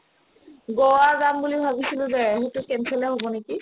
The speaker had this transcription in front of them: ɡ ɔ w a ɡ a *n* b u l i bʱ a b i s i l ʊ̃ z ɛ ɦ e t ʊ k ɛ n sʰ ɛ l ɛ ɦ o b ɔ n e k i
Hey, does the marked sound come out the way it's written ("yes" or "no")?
no